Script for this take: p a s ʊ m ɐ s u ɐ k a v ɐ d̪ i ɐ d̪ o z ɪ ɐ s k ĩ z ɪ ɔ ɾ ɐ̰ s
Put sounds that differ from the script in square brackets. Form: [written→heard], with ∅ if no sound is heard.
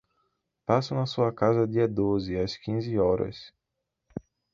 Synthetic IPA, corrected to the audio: p a s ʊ [m→n] ɐ s u ɐ k a [v→z] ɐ d̪ i ɐ d̪ o z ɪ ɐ s k ĩ z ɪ ɔ ɾ ɐ̰ s